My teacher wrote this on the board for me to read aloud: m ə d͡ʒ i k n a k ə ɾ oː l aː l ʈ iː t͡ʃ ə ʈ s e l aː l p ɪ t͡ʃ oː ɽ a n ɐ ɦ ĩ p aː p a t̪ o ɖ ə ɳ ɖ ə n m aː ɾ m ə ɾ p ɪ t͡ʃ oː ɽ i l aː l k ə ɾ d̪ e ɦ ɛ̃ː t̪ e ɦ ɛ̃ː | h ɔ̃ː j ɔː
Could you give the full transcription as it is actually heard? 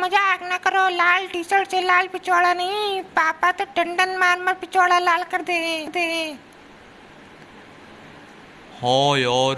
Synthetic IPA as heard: m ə d͡ʒ a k n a k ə ɾ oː l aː l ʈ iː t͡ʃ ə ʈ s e l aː l p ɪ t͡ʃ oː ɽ a n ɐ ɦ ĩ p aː p a t̪ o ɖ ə ɳ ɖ ə n m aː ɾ m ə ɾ p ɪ t͡ʃ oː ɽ a l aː l k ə ɾ d̪ e ɦ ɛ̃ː d̪ e ɦ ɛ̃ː | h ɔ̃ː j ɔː